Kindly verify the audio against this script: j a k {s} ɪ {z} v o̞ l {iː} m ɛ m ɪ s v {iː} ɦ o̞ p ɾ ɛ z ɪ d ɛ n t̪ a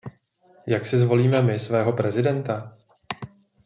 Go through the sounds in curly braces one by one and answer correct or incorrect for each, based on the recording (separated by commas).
correct, correct, correct, incorrect